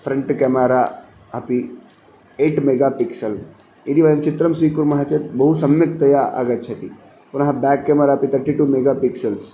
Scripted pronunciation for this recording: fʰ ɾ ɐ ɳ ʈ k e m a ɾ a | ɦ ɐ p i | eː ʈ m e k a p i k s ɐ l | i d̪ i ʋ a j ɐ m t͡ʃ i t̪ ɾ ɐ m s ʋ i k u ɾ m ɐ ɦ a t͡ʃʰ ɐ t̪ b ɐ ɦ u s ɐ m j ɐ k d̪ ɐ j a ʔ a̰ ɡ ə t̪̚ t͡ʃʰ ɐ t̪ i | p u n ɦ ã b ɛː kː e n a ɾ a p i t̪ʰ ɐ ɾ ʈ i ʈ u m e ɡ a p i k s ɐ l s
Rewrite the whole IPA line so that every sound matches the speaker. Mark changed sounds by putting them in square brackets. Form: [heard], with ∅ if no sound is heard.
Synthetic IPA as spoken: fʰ ɾ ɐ ɳ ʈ k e m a ɾ a | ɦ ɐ p i | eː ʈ m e [ɡ] a p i k s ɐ l | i d̪ i ʋ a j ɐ m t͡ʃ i t̪ ɾ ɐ m s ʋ i k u ɾ m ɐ ɦ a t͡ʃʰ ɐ t̪ b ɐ ɦ u s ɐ m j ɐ k [t̪] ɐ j a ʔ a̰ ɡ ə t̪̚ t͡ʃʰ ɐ t̪ i | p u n ɦ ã b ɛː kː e [m] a ɾ a p i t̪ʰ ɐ ɾ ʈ i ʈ u m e ɡ a p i k s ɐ l s